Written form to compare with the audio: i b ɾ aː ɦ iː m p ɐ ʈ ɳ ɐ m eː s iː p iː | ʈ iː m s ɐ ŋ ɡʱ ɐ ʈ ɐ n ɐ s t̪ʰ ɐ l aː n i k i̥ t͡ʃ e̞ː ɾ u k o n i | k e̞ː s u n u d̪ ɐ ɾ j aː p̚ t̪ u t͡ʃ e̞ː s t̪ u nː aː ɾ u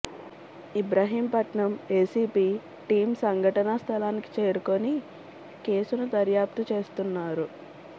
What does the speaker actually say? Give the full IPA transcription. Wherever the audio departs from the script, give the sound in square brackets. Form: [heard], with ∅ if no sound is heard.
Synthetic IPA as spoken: i b ɾ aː ɦ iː m p ɐ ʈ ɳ ɐ m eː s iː p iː | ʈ iː m s ɐ ŋ ɡʱ ɐ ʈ ɐ n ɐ s t̪ʰ ɐ l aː n i k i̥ t͡ʃ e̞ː ɾ u k o n i | k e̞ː s u n u d̪ ɐ ɾ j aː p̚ t̪ u t͡ʃ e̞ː s t̪ u nː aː ɾ u